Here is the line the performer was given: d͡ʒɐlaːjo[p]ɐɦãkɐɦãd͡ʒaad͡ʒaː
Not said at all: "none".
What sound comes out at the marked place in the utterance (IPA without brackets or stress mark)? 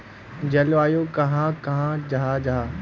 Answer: k